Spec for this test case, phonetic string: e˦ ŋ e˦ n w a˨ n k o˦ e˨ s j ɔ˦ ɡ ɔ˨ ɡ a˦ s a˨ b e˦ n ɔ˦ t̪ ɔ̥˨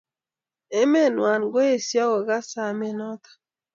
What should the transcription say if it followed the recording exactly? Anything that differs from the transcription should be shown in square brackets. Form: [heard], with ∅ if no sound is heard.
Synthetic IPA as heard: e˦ [m] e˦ n w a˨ n [ɡ] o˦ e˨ s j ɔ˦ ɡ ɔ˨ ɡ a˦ s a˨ [m] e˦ n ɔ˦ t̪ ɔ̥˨